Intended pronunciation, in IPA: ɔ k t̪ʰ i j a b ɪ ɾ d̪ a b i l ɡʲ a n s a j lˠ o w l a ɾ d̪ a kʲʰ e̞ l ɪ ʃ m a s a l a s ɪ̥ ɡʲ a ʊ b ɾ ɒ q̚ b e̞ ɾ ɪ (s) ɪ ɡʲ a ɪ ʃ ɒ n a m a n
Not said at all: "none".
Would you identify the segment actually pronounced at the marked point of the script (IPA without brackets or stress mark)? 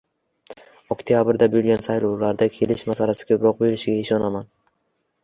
ʃ